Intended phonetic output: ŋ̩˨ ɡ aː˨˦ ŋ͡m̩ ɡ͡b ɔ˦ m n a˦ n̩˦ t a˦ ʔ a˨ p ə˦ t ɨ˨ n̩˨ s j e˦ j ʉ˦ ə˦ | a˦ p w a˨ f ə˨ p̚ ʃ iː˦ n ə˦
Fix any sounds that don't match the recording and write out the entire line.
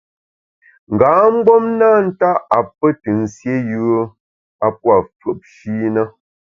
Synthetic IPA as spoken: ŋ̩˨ ɡ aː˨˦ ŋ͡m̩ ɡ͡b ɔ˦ m n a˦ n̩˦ t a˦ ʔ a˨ p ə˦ t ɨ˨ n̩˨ s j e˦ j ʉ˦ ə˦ | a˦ p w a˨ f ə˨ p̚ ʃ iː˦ n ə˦